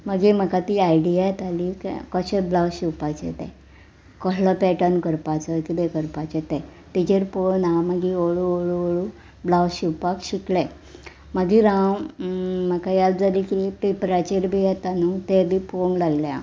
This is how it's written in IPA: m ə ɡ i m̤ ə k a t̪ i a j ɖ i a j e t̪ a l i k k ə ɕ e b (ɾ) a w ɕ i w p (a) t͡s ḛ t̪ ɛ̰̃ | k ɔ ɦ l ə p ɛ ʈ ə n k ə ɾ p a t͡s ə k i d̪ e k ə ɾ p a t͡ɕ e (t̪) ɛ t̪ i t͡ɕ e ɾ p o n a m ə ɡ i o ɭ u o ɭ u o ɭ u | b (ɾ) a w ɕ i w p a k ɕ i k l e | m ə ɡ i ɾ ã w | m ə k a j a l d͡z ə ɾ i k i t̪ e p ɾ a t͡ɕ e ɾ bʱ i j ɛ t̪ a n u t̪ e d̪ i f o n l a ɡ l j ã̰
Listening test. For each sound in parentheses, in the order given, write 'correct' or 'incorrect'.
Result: incorrect: l, correct, correct, incorrect: l

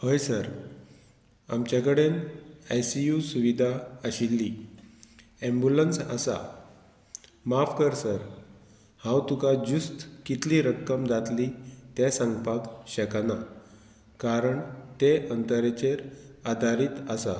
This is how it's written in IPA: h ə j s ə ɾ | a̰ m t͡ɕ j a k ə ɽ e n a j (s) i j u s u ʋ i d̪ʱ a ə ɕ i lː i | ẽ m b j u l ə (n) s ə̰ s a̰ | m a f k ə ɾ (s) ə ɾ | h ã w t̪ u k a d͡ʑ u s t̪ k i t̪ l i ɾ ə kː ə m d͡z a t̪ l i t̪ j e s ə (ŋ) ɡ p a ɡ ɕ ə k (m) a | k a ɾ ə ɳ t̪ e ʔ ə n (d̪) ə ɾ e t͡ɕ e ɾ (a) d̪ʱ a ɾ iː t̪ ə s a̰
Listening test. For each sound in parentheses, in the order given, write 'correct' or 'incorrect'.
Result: correct, correct, correct, correct, incorrect: n, incorrect: t̪, correct

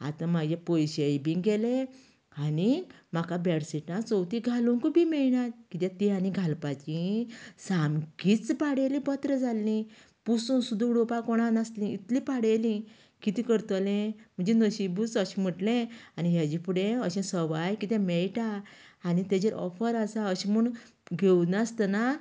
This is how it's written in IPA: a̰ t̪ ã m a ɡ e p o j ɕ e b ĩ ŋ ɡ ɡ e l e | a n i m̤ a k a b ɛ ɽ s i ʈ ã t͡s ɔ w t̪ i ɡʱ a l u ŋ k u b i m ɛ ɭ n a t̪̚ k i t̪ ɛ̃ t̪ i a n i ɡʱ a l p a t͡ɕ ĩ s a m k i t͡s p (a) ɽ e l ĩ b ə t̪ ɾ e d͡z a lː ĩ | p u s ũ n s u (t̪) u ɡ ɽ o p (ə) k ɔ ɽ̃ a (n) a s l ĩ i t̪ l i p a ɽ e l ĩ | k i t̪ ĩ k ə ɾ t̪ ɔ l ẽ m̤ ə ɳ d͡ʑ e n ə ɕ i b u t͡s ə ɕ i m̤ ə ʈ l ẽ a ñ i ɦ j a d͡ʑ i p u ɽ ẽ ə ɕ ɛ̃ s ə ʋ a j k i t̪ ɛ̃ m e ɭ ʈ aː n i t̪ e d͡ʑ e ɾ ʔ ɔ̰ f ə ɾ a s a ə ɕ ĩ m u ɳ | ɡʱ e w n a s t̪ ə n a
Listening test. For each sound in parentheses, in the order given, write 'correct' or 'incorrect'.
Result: correct, incorrect: d̪, incorrect: a, correct

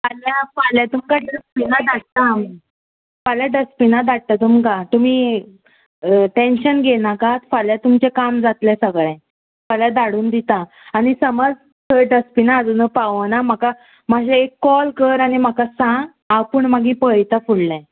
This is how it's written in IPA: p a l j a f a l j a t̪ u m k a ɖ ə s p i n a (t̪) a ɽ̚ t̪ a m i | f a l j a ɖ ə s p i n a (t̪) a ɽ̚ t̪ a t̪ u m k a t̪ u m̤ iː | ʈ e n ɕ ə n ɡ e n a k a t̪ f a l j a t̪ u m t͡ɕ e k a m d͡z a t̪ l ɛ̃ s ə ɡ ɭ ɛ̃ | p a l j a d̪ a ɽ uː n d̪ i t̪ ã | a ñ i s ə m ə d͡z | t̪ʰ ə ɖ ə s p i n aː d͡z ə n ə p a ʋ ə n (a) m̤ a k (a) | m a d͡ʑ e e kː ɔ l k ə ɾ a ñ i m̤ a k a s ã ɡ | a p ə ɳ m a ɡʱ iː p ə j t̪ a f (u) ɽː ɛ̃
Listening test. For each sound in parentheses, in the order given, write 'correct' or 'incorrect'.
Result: incorrect: d̪, incorrect: d̪, correct, correct, correct

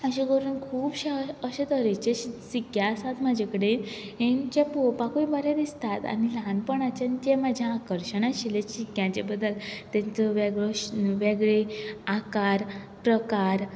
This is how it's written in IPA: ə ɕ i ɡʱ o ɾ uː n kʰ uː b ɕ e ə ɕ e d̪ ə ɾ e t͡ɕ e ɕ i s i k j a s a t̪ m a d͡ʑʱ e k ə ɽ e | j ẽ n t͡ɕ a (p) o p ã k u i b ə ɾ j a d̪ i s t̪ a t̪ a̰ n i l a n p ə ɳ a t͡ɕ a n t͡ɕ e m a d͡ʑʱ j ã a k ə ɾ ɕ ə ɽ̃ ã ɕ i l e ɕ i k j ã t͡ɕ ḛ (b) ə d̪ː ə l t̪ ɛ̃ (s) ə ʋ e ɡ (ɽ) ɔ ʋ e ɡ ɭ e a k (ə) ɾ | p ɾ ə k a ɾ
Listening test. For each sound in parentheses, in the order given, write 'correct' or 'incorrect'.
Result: correct, correct, incorrect: t͡s, incorrect: ɭ, incorrect: a

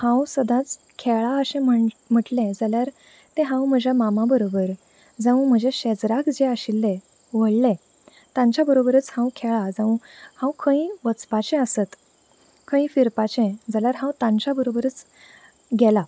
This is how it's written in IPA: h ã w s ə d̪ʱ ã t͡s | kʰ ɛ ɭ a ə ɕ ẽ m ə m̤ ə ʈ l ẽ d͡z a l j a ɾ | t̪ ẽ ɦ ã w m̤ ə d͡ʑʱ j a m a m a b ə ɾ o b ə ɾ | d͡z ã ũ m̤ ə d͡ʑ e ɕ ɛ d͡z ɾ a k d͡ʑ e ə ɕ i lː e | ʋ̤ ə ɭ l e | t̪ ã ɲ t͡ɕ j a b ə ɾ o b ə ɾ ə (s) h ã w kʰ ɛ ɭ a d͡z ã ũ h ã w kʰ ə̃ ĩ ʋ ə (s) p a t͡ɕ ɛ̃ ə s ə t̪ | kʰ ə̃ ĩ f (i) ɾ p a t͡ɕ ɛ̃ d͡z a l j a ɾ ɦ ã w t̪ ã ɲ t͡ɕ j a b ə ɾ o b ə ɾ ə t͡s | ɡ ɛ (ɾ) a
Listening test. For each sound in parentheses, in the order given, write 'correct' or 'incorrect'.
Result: incorrect: t͡s, incorrect: t͡s, correct, incorrect: l

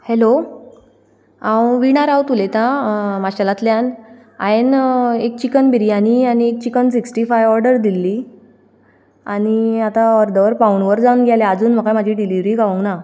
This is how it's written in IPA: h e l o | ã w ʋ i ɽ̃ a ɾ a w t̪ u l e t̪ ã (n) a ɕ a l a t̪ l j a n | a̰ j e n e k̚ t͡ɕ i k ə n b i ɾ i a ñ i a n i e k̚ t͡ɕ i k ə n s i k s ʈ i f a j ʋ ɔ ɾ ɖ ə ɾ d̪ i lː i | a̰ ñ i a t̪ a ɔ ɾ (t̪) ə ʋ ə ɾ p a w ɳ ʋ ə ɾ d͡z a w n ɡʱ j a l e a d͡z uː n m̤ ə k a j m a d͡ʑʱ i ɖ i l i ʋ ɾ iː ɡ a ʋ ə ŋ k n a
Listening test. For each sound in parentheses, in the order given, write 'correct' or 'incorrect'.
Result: incorrect: m, incorrect: d̪

